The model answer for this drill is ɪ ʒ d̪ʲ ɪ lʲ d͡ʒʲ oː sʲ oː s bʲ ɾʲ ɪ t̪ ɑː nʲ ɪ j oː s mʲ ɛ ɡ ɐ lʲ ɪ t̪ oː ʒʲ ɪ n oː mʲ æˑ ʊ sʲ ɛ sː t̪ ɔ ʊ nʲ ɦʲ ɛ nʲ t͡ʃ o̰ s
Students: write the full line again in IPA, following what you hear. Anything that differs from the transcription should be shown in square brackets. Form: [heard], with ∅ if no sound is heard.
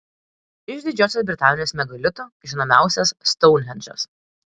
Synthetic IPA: ɪ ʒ d̪ʲ ɪ [∅] d͡ʒʲ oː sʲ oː s bʲ ɾʲ ɪ t̪ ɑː nʲ ɪ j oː s mʲ ɛ ɡ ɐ lʲ ɪ t̪ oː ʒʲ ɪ n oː mʲ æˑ ʊ sʲ ɛ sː t̪ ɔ ʊ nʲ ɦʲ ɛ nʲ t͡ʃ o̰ s